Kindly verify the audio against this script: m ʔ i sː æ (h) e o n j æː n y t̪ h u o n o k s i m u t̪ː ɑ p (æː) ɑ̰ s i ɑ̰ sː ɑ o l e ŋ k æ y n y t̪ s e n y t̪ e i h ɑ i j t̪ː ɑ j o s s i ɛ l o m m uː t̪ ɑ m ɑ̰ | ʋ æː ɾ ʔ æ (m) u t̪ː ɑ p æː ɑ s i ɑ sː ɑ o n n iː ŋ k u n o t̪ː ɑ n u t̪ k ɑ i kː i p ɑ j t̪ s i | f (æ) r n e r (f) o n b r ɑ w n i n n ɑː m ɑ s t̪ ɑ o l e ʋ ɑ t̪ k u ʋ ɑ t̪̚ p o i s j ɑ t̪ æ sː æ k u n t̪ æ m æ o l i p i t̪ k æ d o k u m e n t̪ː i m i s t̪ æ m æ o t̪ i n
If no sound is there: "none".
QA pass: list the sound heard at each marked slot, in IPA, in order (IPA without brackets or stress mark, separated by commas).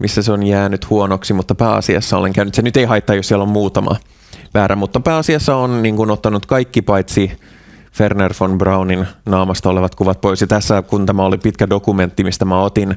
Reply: s, æː, m, e, f